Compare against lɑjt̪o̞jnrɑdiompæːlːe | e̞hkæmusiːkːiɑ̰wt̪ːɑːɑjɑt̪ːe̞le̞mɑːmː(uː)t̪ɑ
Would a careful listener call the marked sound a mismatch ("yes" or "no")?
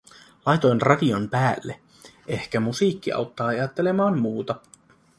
no